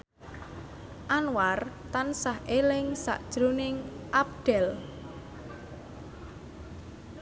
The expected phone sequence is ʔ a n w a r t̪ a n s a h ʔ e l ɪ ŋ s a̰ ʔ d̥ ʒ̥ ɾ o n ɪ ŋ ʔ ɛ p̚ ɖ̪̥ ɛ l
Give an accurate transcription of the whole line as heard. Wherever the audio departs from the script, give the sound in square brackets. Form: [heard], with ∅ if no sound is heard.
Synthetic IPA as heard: ʔ a n w a r t̪ a n s a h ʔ e l ɪ ŋ s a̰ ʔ d̥ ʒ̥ ɾ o n ɪ ŋ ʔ [a] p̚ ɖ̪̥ ɛ l

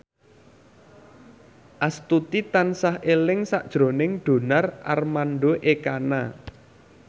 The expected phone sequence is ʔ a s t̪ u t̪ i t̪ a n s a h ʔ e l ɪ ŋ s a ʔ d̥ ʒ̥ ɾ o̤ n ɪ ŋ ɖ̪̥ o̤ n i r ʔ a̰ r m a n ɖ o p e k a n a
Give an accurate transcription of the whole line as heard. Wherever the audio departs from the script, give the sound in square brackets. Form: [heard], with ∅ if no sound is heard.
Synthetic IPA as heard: ʔ a s t̪ u t̪ i t̪ a n s a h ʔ e l ɪ ŋ s a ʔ d̥ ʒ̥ ɾ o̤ n ɪ ŋ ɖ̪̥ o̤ n [a] r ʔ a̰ r m a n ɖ o [ʔ] e k a n a

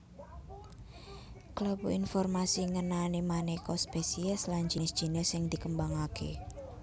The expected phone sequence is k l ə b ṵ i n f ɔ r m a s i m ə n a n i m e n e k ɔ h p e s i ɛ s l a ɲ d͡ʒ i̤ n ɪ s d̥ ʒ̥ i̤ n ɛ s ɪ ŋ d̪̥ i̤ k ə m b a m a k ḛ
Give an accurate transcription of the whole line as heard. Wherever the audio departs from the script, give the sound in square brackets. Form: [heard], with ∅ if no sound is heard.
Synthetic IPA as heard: k l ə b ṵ i n f ɔ r m a s i [ŋ] ə n a n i m [a] n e k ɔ [s] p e s i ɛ s l a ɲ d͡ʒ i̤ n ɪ s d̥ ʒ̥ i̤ n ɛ s ɪ ŋ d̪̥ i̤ k ə m b a [ŋ] a k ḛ

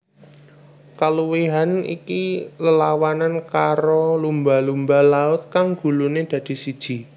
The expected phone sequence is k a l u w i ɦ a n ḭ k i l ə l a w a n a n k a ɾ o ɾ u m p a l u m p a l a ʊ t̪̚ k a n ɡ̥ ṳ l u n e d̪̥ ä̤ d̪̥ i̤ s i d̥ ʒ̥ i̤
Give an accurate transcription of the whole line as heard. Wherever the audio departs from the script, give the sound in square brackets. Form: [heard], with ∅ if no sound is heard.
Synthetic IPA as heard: k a l u w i ɦ a n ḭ k i l ə l a w a n a n k a ɾ o [l] u m [b] a l u m [b] a l a ʊ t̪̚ k a [ŋ] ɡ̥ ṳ l u n e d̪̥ ä̤ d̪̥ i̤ s i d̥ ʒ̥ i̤

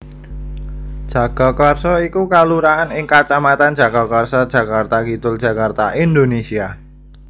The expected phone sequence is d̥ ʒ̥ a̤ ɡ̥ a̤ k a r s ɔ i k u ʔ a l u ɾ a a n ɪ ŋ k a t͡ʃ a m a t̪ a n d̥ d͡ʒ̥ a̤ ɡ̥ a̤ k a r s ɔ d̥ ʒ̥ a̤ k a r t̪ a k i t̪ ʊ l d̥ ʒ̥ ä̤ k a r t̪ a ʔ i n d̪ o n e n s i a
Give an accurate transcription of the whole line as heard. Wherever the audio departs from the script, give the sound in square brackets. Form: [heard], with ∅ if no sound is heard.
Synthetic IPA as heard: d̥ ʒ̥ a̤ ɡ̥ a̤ k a r s ɔ i k u [k] a l u ɾ a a n ɪ ŋ k a t͡ʃ a m a t̪ a n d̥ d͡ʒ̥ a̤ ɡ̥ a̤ k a r s ɔ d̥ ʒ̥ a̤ k a r t̪ a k i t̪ ʊ l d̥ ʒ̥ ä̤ k a r t̪ a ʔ i n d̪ o n e [∅] s i a

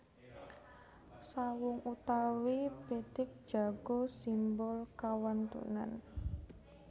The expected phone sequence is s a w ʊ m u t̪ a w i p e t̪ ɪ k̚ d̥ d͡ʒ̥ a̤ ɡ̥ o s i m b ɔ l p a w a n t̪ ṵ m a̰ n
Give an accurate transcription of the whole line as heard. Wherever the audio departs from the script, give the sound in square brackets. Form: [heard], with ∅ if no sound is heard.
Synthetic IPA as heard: s a w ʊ [ŋ] u t̪ a w i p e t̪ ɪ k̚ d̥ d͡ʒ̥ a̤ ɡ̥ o s i m b ɔ l [k] a w a n t̪ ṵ [n] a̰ n

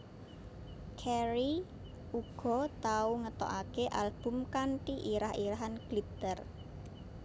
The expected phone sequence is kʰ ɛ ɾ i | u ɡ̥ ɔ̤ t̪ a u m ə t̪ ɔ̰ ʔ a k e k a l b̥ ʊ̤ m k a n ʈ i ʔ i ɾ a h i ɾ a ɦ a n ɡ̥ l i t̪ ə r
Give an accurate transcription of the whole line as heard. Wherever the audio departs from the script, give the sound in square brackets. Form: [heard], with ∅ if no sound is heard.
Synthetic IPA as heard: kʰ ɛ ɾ i | u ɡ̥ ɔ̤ t̪ a u [ŋ] ə t̪ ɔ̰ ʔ a k e [ʔ] a l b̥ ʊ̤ m k a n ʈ i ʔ i ɾ a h i ɾ a ɦ a n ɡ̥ l i t̪ ə r

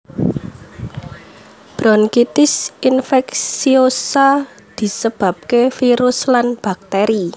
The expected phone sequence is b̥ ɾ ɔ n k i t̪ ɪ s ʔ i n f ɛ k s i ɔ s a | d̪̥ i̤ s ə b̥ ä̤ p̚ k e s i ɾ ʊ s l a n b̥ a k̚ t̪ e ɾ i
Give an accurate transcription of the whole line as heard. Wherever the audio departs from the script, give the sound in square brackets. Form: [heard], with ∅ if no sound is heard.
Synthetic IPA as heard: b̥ ɾ ɔ n k i t̪ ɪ s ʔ i n f ɛ k s i [o] s a | d̪̥ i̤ s ə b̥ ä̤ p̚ k e [f] i ɾ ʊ s l a n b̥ a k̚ t̪ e ɾ i

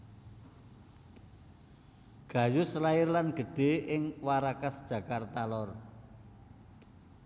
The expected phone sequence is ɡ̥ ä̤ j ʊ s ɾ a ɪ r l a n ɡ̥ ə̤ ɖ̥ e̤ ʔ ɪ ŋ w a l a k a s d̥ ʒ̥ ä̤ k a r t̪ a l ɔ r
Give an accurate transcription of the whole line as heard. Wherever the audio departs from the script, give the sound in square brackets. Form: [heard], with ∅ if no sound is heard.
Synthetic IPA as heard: ɡ̥ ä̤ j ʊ s [l] a ɪ r l a n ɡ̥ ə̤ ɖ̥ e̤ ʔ ɪ ŋ w a [ɾ] a k a s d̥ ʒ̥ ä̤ k a r t̪ a l ɔ r

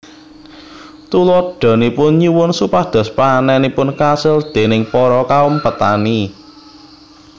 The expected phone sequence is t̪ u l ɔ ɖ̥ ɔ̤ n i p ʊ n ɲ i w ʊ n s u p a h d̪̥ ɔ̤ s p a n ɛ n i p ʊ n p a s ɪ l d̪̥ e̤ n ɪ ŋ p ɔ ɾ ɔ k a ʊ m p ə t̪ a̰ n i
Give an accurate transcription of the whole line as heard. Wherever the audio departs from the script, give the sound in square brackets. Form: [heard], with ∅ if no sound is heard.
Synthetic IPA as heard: t̪ u l ɔ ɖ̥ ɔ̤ n i p ʊ n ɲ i w ʊ n s u p a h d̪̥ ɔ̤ s p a n ɛ n i p ʊ n [k] a s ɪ l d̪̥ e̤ n ɪ ŋ p ɔ ɾ ɔ k a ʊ m p ə t̪ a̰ n i

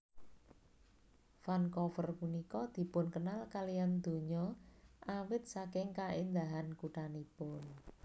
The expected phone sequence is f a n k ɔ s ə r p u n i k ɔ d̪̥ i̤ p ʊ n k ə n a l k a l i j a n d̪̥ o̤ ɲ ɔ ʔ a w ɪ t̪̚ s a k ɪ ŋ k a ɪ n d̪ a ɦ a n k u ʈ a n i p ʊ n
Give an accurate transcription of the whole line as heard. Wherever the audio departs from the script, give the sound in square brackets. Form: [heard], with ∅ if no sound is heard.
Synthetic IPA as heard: f a n k ɔ [f] ə r p u n i k ɔ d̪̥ i̤ p ʊ n k ə n a l k a l i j a n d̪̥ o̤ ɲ ɔ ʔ a w ɪ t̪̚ s a k ɪ ŋ k a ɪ n d̪ a ɦ a n k u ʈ a n i p ʊ n

